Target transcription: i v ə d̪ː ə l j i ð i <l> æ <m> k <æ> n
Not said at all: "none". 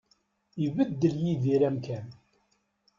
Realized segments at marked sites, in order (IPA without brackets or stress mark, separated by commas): ɾ, m, æ